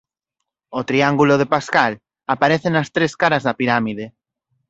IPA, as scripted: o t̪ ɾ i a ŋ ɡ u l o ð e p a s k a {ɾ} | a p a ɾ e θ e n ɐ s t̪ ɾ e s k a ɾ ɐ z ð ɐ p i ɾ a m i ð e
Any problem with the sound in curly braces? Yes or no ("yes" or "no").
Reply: yes